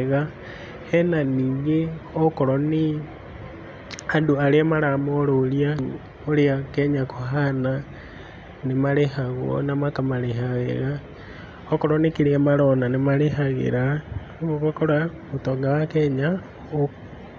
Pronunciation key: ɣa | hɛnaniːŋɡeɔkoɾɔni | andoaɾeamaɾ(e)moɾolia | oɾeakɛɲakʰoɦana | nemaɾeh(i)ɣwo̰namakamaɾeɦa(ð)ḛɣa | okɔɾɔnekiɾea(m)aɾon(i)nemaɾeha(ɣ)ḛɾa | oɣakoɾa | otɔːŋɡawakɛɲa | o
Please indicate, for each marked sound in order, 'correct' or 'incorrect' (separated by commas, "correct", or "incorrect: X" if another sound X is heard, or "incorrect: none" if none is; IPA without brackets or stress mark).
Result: incorrect: a, incorrect: a, incorrect: ɣ, correct, incorrect: a, correct